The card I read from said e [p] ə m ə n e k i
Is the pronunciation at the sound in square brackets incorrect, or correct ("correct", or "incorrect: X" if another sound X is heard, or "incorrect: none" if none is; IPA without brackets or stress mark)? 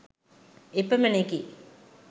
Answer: correct